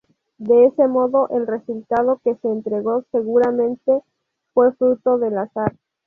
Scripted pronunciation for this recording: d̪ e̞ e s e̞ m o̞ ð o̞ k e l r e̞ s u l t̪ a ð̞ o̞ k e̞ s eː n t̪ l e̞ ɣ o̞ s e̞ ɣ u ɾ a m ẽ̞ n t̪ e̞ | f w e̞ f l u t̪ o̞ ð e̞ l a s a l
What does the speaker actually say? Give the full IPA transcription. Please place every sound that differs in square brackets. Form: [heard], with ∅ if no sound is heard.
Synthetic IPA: d̪ e̞ e s e̞ m o̞ ð o̞ [ʔ] e l r e̞ s u l t̪ a ð̞ o̞ k e̞ s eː n t̪ [ɾ] e̞ ɣ o̞ s e̞ ɣ u ɾ a m ẽ̞ n t̪ e̞ | f w e̞ f [ɾ] u t̪ o̞ ð e̞ l a s a [ɾ]

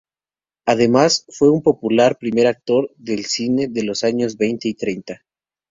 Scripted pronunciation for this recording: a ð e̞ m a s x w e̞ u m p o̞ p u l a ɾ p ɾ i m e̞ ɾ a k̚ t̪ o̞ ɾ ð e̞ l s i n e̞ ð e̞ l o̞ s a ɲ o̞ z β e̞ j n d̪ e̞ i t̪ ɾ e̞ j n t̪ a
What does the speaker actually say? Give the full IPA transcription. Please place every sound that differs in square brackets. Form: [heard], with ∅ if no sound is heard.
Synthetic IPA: a ð e̞ m a s [f] w e̞ u m p o̞ p u l a ɾ p ɾ i m e̞ ɾ a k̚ t̪ o̞ ɾ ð e̞ l s i n e̞ ð e̞ l o̞ s a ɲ o̞ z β e̞ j n [t̪] e̞ i t̪ ɾ e̞ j n t̪ a

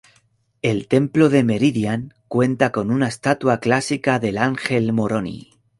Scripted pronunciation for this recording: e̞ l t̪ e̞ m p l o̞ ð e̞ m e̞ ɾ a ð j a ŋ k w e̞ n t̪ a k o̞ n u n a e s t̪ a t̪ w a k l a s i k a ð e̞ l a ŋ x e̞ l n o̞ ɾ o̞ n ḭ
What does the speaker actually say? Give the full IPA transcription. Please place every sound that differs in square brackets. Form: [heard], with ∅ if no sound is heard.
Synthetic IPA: e̞ l t̪ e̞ m p l o̞ ð e̞ m e̞ ɾ [i] ð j a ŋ k w e̞ n t̪ a k o̞ n u n a e s t̪ a t̪ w a k l a s i k a ð e̞ l a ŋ x e̞ l [m] o̞ ɾ o̞ n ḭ

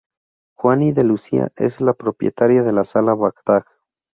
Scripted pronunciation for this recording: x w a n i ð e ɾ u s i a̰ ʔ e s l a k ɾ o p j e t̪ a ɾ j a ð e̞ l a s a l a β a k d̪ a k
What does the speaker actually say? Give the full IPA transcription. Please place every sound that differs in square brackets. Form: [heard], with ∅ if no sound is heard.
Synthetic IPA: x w a n i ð e [l] u s i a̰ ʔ e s l a [p] ɾ o p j e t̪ a ɾ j a ð e̞ l a s a l a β a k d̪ a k

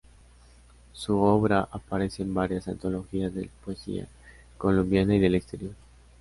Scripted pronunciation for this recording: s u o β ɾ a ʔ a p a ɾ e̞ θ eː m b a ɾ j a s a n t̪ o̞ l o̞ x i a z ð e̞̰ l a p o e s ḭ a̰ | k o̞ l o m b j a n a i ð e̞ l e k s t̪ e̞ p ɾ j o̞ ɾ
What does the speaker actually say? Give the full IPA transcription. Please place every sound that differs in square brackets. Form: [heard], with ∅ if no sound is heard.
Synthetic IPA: s u o β ɾ a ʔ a p a ɾ e̞ [s] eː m b a ɾ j a s a n t̪ o̞ l o̞ x i a z ð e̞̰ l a p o e s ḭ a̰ | k o̞ l o m b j a n a i ð e̞ l e k s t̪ e̞ [∅] ɾ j o̞ ɾ

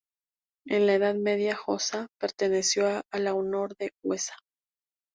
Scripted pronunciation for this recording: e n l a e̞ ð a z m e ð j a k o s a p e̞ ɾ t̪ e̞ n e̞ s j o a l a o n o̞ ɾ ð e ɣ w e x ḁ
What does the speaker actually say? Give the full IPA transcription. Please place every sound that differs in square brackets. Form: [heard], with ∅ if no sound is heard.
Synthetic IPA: e n l a e̞ ð a [ð] m e ð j a [x] o s a p e̞ ɾ t̪ e̞ n e̞ s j o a l a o n o̞ ɾ ð e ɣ w e [s] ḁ

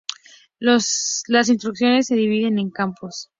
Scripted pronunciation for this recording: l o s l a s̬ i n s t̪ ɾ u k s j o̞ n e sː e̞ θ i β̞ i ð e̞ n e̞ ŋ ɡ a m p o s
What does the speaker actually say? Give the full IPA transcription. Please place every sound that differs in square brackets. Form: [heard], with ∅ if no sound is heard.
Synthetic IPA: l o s l a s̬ i n s t̪ ɾ u k s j o̞ n e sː e̞ [ð] i β̞ i ð e̞ n e̞ ŋ [k] a m p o s

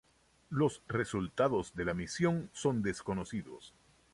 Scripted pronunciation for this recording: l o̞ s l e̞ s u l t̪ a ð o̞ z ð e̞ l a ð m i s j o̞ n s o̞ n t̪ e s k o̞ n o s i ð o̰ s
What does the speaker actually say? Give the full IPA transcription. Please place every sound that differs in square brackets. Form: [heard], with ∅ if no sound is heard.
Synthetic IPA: l o̞ s [r] e̞ s u l t̪ a ð o̞ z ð e̞ l a [∅] m i s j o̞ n s o̞ n [d̪] e s k o̞ n o s i ð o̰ s

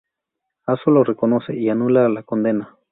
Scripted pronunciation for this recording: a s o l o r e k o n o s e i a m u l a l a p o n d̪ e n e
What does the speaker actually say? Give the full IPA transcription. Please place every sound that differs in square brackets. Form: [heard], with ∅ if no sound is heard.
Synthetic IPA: a s o l o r e k o n o s e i a [n] u l a l a [k] o n d̪ e n [a]

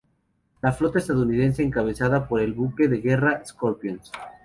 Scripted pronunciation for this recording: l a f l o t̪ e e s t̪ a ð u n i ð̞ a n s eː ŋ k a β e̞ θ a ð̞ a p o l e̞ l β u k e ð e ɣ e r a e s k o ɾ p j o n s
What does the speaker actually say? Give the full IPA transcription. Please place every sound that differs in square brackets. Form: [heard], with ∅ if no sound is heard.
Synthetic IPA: l a f l o t̪ [a] e s t̪ a ð u n i ð̞ [e] n s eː ŋ k a β e̞ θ a ð̞ a p o [ɾ] e̞ l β u k e ð e ɣ e r a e s k o ɾ p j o n s

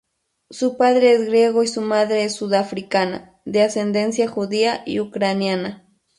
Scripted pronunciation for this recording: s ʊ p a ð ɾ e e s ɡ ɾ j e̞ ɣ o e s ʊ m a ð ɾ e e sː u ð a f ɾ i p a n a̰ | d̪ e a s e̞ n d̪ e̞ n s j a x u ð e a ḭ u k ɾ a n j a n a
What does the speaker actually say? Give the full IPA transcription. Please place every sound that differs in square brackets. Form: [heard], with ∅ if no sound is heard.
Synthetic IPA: s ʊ p a ð ɾ e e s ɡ ɾ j e̞ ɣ o [i] s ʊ m a ð ɾ e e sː u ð a f ɾ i [k] a n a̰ | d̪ e a s e̞ n d̪ e̞ n s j a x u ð [i] a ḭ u k ɾ a n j a n a

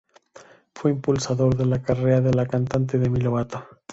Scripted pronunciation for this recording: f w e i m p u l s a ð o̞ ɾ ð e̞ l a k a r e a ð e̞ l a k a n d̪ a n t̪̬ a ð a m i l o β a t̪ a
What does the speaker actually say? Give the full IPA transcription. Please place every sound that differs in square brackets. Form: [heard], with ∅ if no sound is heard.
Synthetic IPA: f w e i m p u l s a ð o̞ ɾ ð e̞ l a k a r e a ð e̞ l a k a n [t̪] a n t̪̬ [e] ð [e] m i l o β a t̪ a

